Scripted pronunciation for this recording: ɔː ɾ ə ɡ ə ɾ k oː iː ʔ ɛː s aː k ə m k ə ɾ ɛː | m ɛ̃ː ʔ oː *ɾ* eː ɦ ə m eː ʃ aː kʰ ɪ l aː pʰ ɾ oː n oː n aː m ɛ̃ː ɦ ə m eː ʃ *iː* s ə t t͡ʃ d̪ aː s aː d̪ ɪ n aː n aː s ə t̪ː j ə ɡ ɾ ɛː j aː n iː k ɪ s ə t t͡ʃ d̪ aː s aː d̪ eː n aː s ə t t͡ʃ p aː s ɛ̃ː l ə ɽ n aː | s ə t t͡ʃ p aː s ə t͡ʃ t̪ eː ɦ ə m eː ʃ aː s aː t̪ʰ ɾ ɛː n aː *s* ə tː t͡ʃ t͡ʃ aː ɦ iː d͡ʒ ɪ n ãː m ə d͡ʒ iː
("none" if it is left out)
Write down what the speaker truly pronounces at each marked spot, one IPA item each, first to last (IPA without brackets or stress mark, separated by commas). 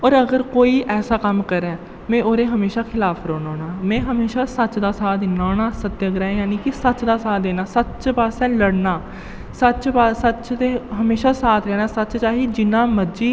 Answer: ɾ, aː, s